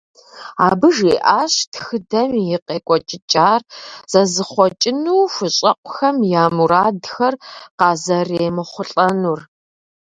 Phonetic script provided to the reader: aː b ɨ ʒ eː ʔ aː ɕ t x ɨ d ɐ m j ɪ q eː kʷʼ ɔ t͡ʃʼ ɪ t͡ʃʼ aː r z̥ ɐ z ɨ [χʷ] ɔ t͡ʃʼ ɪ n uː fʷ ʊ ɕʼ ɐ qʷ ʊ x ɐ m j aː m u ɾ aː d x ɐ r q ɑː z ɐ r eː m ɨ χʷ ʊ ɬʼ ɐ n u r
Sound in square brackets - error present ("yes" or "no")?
no